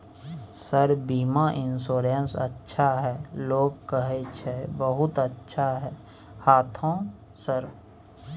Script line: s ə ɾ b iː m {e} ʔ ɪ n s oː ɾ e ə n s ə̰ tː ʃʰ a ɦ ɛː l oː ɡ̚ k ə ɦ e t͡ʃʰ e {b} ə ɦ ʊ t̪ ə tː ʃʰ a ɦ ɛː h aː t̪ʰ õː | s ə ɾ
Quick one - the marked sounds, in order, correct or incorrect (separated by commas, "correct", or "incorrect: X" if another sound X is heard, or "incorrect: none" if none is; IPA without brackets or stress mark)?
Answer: incorrect: a, correct